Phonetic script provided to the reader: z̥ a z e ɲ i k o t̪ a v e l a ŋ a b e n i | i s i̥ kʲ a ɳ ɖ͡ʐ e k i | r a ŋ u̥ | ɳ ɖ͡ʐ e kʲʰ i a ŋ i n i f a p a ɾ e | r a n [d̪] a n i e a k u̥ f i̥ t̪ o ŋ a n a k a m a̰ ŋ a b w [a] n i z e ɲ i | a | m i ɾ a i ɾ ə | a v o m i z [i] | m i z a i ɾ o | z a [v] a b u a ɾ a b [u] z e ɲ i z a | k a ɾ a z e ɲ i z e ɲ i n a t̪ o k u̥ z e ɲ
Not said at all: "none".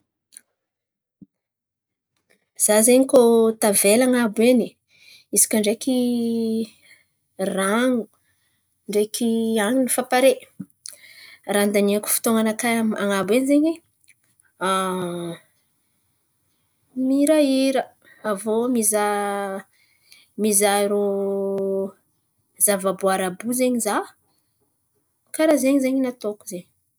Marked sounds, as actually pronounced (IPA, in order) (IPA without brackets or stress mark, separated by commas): d̪, e, a, v, u